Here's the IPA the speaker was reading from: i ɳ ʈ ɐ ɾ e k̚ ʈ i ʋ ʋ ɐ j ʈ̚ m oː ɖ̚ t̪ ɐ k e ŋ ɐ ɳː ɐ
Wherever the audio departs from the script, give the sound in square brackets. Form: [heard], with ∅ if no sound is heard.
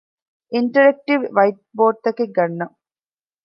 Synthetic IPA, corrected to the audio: i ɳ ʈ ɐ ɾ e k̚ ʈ i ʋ ʋ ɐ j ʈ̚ [b] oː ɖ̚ t̪ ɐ k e [ɡ] ɐ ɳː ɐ